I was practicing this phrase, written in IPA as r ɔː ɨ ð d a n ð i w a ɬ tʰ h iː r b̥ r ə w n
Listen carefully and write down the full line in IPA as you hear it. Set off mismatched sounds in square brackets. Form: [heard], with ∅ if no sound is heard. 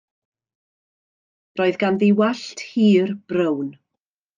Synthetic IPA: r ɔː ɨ ð [ɡ] a n ð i w a ɬ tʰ h iː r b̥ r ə w n